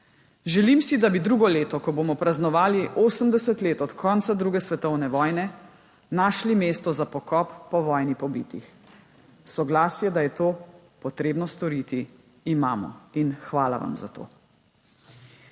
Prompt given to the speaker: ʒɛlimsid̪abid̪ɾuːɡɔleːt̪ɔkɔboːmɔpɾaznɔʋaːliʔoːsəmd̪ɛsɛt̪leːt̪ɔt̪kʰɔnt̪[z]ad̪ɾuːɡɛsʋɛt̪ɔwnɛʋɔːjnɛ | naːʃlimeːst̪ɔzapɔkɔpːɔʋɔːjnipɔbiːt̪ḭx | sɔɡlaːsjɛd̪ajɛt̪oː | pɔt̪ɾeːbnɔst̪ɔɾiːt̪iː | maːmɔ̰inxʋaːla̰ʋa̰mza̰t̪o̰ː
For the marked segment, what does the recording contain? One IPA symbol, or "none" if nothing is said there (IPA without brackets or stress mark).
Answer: s